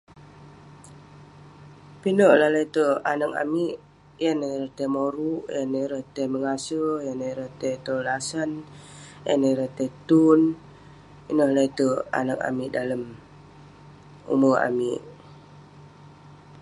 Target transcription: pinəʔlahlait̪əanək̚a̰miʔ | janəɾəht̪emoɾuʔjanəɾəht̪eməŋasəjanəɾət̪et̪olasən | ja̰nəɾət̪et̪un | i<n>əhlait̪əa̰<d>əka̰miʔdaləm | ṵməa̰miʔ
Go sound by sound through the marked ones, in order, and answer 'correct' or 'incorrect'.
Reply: correct, incorrect: n

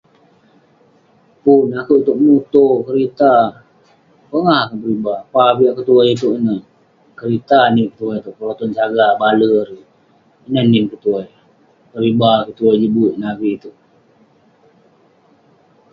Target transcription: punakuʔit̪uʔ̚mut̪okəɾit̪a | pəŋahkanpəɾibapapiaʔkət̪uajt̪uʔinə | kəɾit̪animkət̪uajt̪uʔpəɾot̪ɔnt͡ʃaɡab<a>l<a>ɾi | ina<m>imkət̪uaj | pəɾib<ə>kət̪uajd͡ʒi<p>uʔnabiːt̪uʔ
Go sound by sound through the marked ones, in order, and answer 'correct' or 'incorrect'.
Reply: correct, incorrect: ə, incorrect: n, incorrect: a, incorrect: b

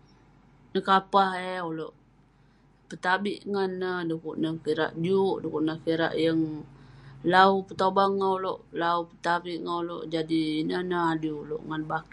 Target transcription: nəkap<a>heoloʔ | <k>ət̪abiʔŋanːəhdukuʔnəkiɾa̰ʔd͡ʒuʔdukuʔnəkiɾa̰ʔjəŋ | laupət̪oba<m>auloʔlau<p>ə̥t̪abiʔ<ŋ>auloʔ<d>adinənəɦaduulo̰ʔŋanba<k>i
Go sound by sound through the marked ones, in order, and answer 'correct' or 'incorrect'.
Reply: correct, incorrect: p, incorrect: ŋ, correct, correct, incorrect: d͡ʒ, correct

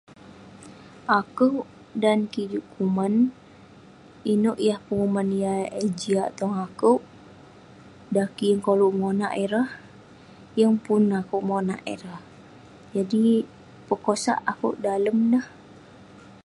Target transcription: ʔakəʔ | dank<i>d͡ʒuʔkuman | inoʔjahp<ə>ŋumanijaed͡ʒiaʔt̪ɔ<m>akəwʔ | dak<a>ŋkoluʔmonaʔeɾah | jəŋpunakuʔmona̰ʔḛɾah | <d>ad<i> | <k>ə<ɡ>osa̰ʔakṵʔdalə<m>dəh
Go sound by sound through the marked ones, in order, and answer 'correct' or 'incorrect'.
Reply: correct, correct, incorrect: ŋ, incorrect: i, incorrect: d͡ʒ, correct, incorrect: p, incorrect: k, correct

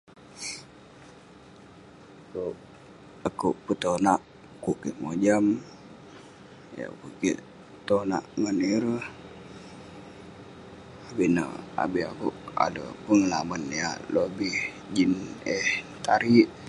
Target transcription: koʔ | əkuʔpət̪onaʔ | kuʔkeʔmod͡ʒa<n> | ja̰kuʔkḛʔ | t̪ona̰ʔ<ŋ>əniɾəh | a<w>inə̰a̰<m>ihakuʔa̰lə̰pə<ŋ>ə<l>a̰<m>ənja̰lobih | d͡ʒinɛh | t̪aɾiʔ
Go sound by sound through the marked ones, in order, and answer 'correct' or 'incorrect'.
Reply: incorrect: m, correct, incorrect: b, incorrect: b, correct, correct, correct

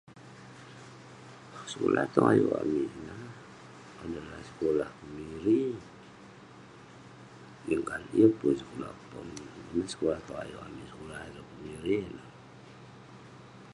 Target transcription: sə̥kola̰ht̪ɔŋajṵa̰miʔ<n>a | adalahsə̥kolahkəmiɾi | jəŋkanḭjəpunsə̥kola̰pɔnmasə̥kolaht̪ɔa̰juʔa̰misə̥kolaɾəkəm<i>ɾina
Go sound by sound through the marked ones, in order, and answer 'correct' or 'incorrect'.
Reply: correct, correct

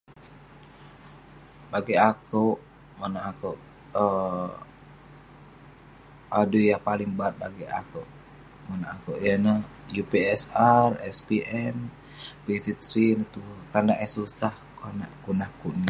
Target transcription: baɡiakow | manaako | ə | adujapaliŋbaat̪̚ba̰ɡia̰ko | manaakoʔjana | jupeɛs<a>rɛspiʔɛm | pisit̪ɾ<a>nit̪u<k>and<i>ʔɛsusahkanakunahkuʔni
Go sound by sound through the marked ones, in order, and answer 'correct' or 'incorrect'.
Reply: correct, incorrect: i, correct, incorrect: a

